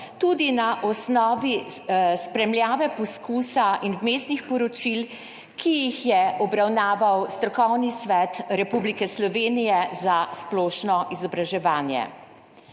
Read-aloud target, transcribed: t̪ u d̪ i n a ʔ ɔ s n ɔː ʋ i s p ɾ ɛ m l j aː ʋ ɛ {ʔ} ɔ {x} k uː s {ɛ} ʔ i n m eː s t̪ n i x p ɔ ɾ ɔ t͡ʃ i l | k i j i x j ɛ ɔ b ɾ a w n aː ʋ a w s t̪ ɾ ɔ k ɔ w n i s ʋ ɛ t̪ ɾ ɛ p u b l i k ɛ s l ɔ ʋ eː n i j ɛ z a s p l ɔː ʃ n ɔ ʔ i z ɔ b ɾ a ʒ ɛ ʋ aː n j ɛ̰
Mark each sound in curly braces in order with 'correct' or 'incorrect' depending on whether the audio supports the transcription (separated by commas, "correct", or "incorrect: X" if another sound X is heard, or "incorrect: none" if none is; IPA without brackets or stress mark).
incorrect: p, incorrect: s, incorrect: a